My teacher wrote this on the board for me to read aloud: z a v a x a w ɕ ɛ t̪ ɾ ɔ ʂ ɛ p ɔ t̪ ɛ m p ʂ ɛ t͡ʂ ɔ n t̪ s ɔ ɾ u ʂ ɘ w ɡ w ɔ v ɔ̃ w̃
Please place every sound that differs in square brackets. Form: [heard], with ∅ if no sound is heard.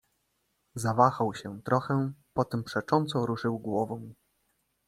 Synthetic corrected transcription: z a v a x a w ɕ ɛ t̪ ɾ ɔ [x] ɛ p ɔ t̪ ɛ m p ʂ ɛ t͡ʂ ɔ n t̪ s ɔ ɾ u ʂ ɘ w ɡ w ɔ v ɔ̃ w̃

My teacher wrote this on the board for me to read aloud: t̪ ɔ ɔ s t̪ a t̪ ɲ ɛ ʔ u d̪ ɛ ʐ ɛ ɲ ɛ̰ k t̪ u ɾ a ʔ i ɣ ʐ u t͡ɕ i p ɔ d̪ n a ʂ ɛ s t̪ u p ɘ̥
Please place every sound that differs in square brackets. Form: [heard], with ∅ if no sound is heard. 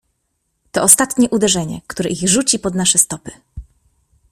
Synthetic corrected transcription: t̪ ɔ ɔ s t̪ a t̪ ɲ ɛ ʔ u d̪ ɛ ʐ ɛ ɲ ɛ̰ k t̪ u ɾ [ɛ] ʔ i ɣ ʐ u t͡ɕ i p ɔ d̪ n a ʂ ɛ s t̪ [ɔ] p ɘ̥

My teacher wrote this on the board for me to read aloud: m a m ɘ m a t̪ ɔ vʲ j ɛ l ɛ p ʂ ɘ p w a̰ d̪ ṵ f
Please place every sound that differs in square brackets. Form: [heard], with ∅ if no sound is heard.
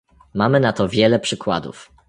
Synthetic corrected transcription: m a m ɘ [n] a t̪ ɔ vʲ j ɛ l ɛ p ʂ ɘ [k] w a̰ d̪ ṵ f

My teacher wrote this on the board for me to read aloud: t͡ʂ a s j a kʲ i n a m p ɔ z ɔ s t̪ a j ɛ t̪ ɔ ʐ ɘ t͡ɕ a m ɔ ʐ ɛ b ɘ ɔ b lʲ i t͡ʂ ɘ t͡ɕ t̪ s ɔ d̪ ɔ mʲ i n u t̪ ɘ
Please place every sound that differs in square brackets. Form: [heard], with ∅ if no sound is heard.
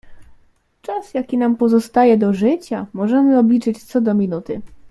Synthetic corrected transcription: t͡ʂ a s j a kʲ i n a m p ɔ z ɔ s t̪ a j ɛ [d̪] ɔ ʐ ɘ t͡ɕ a m ɔ ʐ ɛ [m] ɘ ɔ b lʲ i t͡ʂ ɘ t͡ɕ t̪ s ɔ d̪ ɔ mʲ i n u t̪ ɘ

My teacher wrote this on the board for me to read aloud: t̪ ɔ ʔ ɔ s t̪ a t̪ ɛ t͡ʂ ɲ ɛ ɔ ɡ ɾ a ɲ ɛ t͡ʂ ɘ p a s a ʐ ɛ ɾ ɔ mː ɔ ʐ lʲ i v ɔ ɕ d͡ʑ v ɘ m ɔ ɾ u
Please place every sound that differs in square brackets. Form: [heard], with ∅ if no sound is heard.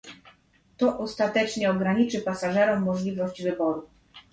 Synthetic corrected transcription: t̪ ɔ ʔ ɔ s t̪ a t̪ ɛ t͡ʂ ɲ ɛ ɔ ɡ ɾ a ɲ [i] t͡ʂ ɘ p a s a ʐ ɛ ɾ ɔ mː ɔ ʐ lʲ i v ɔ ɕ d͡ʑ v ɘ [b] ɔ ɾ u

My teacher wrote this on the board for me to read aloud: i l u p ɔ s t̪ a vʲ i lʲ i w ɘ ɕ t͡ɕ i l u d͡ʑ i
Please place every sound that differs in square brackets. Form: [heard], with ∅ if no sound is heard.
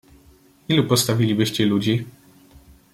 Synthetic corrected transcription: i l u p ɔ s t̪ a vʲ i lʲ i [b] ɘ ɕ t͡ɕ [ɛ] l u d͡ʑ i

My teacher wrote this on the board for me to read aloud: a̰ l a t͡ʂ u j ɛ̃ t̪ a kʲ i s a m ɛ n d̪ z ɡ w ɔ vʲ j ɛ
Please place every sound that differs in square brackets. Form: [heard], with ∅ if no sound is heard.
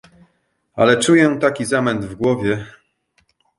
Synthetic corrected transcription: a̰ l [ɛ] t͡ʂ u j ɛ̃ t̪ a kʲ i [z] a m ɛ n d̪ [v] ɡ w ɔ vʲ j ɛ

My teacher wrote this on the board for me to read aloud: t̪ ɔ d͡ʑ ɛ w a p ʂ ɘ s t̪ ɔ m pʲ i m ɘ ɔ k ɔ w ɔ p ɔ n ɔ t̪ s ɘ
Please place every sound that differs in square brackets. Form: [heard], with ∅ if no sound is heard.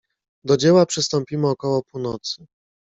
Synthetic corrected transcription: [d̪] ɔ d͡ʑ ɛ w a p ʂ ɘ s t̪ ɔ m pʲ i m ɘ ɔ k ɔ w ɔ p [u] n ɔ t̪ s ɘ

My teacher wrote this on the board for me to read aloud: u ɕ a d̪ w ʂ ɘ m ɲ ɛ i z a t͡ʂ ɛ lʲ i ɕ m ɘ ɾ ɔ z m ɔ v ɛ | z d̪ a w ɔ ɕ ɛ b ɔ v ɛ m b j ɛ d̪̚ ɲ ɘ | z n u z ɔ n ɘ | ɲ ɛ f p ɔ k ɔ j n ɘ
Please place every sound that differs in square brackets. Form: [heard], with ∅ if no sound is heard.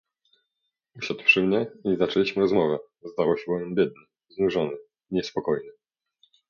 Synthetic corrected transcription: u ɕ a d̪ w ʂ ɘ m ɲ ɛ i z a t͡ʂ ɛ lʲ i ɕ m ɘ ɾ ɔ z m ɔ v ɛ | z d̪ a w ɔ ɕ ɛ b ɔ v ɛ m b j ɛ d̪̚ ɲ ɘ | z n u [ʐ] ɔ n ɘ | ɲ ɛ [s] p ɔ k ɔ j n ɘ

